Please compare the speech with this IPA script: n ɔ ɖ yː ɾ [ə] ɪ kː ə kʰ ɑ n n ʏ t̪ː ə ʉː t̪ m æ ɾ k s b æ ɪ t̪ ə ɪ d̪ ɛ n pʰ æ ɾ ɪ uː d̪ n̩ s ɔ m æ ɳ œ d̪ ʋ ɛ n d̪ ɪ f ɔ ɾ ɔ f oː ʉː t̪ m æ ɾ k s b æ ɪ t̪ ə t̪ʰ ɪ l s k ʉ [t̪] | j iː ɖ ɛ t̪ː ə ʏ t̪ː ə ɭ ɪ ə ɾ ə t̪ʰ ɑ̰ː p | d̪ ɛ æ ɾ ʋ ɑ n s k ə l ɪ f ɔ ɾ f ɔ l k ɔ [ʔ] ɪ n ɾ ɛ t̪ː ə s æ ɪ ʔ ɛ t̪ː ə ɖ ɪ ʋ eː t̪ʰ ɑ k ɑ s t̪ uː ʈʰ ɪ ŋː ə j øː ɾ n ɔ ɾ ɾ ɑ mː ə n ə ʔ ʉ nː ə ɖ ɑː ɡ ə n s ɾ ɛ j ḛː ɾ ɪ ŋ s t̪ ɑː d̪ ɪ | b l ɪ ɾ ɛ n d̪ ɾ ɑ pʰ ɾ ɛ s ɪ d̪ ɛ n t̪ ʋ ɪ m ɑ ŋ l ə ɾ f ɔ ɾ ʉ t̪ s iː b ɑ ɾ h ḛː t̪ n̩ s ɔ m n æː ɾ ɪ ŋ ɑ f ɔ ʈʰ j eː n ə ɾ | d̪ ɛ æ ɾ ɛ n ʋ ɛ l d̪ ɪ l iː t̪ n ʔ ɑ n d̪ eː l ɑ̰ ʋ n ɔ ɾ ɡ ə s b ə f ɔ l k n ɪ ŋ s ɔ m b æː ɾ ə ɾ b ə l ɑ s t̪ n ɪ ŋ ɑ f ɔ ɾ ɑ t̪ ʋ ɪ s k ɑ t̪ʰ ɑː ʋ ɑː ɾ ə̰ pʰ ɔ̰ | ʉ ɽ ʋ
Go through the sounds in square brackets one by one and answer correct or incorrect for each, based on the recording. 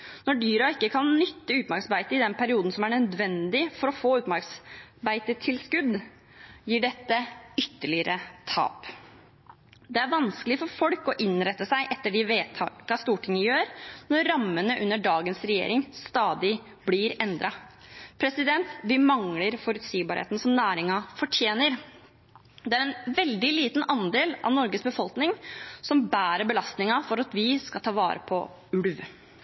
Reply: incorrect: ɑ, incorrect: d̪, correct

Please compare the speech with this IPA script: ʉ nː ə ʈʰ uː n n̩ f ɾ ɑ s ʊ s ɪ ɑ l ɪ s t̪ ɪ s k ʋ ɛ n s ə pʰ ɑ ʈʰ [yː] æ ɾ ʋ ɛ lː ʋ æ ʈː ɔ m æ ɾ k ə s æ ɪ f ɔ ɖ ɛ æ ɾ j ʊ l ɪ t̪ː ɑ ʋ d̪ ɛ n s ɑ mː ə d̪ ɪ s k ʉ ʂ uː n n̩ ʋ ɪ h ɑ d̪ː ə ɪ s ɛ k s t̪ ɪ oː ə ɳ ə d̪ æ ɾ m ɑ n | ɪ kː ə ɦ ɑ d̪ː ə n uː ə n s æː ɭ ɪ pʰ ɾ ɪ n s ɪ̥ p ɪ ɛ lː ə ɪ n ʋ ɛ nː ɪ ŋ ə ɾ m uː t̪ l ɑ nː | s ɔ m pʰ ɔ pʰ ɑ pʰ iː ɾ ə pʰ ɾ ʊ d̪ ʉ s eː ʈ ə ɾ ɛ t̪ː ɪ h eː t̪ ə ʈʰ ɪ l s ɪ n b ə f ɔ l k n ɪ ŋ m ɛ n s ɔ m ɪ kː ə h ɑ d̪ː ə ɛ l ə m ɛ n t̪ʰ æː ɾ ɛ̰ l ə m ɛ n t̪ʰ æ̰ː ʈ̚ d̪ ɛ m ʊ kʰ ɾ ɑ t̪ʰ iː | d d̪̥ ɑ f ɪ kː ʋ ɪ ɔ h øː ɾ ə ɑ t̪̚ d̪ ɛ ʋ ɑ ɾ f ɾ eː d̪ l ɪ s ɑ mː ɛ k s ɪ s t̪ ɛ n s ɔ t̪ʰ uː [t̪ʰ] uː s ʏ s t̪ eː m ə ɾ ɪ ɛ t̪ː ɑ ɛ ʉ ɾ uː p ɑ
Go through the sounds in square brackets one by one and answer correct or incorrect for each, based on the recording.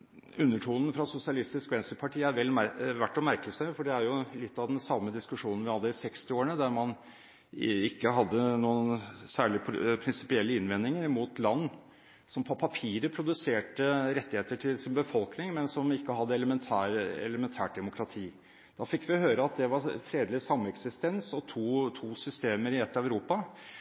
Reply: incorrect: iː, correct

